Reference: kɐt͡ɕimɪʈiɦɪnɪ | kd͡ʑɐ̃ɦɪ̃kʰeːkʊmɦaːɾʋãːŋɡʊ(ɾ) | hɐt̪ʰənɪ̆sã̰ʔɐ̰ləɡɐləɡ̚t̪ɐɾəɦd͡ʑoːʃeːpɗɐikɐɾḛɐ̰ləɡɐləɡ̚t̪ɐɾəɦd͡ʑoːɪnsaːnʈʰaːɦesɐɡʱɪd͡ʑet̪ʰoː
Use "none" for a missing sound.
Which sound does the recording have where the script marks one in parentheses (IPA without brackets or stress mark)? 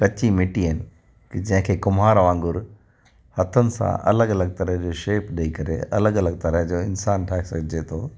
ɾ